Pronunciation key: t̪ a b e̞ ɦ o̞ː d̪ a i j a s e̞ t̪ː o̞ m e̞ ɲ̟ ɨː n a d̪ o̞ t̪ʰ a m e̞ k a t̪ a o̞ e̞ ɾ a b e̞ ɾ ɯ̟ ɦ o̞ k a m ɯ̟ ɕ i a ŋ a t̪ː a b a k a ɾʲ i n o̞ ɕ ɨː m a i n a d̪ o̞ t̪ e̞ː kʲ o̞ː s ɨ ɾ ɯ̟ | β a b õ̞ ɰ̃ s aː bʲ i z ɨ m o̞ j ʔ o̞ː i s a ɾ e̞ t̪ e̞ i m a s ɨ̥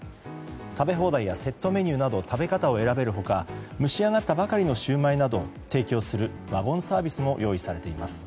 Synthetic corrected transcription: t̪ a b e̞ ɦ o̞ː d̪ a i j a s e̞ t̪ː o̞ m e̞ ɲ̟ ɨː n a d̪ o̞ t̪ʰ a b e̞ k a t̪ a o̞ e̞ ɾ a b e̞ ɾ ɯ̟ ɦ o̞ k a m ɯ̟ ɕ i a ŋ a t̪ː a b a k a ɾʲ i n o̞ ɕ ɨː m a i n a d̪ o̞ t̪ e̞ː kʲ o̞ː s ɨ ɾ ɯ̟ | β a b õ̞ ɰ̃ s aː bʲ i s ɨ m o̞ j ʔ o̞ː i s a ɾ e̞ t̪ e̞ i m a s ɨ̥